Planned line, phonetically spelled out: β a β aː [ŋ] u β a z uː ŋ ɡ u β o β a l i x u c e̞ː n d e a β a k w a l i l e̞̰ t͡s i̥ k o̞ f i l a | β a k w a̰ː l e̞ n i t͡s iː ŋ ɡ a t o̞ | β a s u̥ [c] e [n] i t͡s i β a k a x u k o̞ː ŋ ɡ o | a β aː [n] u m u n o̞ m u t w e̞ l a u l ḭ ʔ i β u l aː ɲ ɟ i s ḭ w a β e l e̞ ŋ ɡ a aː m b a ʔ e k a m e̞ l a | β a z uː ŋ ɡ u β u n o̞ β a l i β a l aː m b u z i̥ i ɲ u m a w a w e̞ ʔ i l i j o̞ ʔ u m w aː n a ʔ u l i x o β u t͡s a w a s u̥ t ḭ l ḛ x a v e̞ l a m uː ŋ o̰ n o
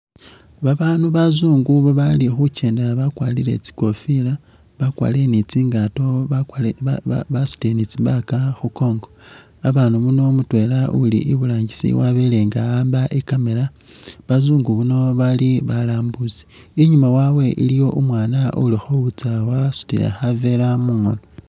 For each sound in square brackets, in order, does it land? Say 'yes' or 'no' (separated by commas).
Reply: no, no, yes, yes